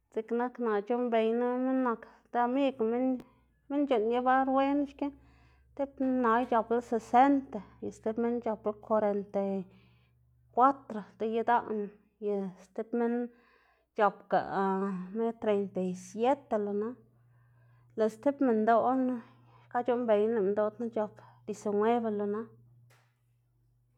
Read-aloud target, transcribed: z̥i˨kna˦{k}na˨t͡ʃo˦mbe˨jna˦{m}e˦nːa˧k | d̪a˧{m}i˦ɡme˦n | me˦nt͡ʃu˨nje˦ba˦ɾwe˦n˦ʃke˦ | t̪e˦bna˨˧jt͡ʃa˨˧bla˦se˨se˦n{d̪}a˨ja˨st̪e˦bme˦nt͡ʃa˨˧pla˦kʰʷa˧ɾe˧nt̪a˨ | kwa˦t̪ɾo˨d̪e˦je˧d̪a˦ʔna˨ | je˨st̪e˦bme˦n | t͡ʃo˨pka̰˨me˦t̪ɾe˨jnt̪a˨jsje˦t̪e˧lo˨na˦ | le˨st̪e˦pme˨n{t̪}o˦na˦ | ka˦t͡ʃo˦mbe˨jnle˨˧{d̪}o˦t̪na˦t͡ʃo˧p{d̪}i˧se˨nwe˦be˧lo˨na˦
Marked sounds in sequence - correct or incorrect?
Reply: correct, correct, correct, incorrect, incorrect, correct, correct

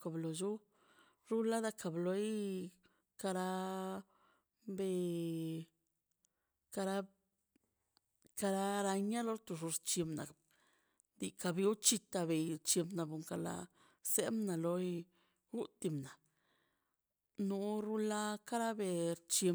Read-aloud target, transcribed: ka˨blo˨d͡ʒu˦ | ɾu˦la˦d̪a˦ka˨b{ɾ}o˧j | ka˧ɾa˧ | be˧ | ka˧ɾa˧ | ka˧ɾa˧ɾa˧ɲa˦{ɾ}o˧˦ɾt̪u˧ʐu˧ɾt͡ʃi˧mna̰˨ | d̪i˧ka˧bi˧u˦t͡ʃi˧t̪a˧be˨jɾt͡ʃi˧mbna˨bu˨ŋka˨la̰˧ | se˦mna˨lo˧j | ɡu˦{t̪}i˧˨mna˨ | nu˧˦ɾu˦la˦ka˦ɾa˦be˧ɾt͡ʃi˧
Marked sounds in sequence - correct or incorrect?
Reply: incorrect, incorrect, correct

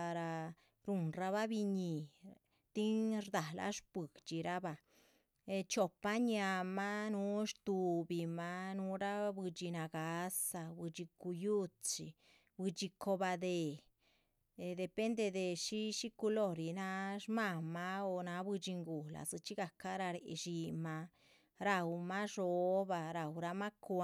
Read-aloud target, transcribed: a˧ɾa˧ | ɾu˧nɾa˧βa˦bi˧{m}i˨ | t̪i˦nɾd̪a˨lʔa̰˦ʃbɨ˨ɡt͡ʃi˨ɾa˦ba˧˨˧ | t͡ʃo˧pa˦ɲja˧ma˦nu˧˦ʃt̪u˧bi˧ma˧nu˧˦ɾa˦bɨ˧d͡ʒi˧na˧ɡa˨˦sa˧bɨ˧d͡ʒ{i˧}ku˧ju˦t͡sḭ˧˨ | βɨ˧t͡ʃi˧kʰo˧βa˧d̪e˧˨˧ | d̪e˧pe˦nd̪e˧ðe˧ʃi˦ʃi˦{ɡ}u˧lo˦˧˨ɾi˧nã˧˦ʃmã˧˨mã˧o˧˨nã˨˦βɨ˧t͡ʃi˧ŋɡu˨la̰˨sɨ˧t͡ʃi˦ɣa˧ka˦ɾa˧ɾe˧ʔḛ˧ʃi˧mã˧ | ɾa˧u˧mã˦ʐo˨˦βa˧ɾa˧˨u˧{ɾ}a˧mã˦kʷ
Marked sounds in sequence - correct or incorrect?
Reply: incorrect, correct, incorrect, correct

